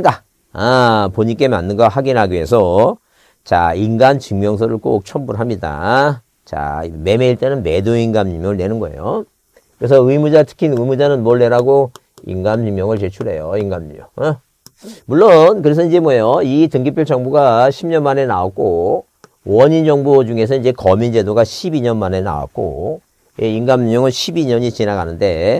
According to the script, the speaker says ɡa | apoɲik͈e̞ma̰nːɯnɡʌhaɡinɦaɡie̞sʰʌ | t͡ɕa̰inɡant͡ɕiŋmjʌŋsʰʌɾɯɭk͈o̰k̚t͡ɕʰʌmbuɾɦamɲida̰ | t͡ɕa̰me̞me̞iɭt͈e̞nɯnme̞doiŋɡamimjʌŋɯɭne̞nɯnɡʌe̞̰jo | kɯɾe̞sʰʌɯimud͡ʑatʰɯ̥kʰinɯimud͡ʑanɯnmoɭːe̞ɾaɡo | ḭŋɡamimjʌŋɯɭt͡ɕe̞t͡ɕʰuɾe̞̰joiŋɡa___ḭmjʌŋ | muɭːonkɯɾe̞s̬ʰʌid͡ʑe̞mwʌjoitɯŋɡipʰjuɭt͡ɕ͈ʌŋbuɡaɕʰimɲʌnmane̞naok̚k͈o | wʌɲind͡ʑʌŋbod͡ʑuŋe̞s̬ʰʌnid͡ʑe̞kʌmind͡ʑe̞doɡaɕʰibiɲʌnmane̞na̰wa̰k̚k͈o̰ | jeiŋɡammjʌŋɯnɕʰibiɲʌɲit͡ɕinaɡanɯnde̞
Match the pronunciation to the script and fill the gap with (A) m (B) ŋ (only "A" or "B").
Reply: A